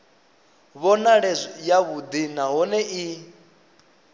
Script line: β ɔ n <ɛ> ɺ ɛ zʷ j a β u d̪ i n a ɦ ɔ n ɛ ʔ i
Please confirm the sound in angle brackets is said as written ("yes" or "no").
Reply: no